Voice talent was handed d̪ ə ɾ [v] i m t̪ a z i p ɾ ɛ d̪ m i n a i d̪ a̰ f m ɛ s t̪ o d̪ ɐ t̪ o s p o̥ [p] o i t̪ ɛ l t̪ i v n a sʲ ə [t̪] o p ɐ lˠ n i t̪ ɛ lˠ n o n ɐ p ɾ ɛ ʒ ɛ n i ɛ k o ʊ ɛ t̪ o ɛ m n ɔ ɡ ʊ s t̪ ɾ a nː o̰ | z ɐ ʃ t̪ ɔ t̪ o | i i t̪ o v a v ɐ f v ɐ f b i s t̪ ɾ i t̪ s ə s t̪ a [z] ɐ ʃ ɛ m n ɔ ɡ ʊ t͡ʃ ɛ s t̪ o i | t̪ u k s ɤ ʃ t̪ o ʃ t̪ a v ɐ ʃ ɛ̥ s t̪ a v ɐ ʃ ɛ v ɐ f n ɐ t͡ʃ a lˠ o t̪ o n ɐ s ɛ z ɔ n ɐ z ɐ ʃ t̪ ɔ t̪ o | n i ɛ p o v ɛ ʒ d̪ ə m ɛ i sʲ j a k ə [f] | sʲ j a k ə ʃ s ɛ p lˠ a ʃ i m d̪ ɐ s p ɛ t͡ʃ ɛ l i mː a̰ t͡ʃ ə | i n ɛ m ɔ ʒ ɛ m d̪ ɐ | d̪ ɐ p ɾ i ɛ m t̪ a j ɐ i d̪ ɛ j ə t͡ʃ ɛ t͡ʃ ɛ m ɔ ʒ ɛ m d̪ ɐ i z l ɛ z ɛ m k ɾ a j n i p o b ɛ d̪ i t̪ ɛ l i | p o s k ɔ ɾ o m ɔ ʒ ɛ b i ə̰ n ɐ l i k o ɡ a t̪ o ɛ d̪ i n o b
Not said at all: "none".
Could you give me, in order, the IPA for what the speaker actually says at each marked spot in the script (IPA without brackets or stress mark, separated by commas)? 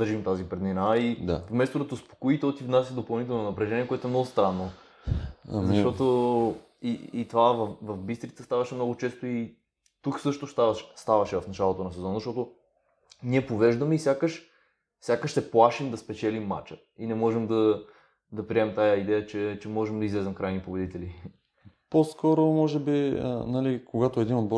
ʒ, k, d̪, v, ʃ